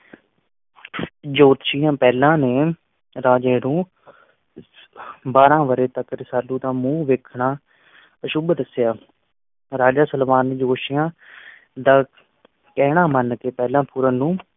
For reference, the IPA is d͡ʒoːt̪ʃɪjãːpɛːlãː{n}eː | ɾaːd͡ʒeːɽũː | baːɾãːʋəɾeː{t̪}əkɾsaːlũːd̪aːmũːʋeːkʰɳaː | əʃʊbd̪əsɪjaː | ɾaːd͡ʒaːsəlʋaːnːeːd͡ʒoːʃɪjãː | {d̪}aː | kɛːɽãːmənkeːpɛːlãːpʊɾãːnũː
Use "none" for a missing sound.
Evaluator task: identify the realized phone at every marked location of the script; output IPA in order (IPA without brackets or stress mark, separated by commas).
n, t̪, d̪